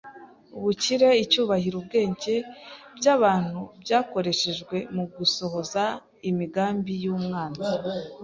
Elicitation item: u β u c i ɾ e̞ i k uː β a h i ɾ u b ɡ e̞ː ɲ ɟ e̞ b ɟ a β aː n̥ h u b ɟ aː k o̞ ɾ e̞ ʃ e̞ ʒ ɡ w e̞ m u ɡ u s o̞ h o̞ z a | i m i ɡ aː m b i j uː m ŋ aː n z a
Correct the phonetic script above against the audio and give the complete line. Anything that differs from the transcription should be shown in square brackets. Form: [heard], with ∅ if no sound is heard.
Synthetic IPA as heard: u β u c i ɾ e̞ i [c] uː β a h i ɾ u b ɡ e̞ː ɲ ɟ e̞ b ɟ a β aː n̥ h u b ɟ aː k o̞ ɾ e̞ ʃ e̞ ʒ ɡ w e̞ m u ɡ u s o̞ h o̞ z a | i m i ɡ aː m b i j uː m ŋ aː n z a